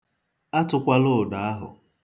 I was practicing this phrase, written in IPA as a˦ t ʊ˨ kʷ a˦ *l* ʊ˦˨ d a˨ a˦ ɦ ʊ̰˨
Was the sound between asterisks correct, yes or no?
yes